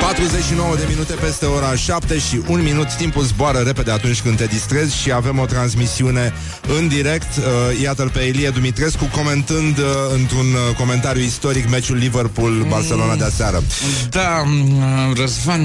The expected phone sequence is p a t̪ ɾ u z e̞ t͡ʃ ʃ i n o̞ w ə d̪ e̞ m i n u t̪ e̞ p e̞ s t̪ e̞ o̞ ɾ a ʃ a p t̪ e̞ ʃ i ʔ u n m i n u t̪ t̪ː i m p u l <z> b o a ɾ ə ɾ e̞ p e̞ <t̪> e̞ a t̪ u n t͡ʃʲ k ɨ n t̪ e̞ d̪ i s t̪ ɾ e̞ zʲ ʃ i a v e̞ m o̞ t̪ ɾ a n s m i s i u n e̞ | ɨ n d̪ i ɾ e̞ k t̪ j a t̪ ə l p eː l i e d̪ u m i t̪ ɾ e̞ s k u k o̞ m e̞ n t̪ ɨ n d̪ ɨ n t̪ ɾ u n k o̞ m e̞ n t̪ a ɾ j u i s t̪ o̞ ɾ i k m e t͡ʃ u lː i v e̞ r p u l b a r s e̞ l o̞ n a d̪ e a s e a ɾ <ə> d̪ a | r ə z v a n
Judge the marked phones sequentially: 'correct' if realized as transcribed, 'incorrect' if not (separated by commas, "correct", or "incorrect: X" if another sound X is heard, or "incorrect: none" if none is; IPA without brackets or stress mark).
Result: correct, incorrect: d̪, correct